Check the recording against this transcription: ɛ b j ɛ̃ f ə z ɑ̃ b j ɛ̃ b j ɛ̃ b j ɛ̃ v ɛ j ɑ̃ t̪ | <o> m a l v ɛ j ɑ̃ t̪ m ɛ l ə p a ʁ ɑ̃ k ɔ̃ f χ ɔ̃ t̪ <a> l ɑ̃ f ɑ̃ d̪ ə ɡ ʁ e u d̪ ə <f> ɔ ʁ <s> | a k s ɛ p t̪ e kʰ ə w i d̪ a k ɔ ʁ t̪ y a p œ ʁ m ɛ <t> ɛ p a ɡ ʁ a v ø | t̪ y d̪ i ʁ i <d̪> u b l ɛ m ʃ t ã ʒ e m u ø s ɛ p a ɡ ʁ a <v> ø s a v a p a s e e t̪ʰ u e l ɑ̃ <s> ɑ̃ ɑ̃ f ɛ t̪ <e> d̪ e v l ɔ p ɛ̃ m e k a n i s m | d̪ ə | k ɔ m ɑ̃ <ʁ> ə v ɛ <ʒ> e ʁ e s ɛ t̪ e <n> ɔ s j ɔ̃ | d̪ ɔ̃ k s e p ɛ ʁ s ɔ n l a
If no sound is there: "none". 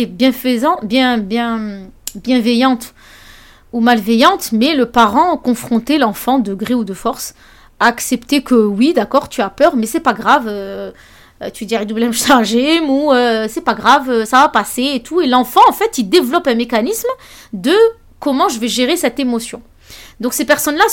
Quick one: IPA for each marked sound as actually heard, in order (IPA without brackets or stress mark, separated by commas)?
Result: u, e, f, s, s, d̪, v, f, i, ʒ, ʒ, m